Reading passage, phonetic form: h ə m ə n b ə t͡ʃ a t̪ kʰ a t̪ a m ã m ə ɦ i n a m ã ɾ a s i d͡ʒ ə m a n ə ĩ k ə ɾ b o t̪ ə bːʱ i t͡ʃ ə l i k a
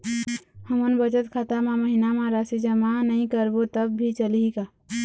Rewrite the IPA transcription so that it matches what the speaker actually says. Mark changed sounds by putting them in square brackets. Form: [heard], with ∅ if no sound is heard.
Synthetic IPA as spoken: h ə m ə n b ə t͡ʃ [ə] t̪ kʰ a t̪ a m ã m ə ɦ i n a m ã ɾ a s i d͡ʒ ə m a n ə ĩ k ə ɾ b o t̪ ə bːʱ i t͡ʃ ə l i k a